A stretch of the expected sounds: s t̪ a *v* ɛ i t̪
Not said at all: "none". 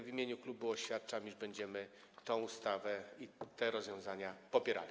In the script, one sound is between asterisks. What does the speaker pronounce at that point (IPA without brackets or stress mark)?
v